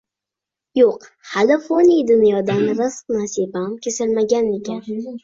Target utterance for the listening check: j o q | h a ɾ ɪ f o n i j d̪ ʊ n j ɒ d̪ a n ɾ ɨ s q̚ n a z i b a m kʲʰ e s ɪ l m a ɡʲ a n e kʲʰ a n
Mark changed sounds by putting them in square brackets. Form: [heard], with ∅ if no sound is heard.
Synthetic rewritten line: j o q | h a [l] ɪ f o n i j d̪ ʊ n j ɒ d̪ a n ɾ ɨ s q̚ n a [s] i b a m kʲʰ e s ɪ l m a ɡʲ a n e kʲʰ a n